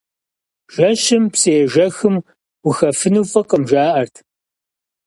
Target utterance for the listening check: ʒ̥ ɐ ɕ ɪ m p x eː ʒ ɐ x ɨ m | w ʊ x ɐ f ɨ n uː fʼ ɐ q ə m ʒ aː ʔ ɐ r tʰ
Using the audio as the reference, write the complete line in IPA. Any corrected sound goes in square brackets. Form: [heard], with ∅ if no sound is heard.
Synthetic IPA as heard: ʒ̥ ɐ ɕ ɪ m p [s] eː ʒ ɐ x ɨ m | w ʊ x ɐ f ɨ n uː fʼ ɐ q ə m ʒ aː ʔ ɐ r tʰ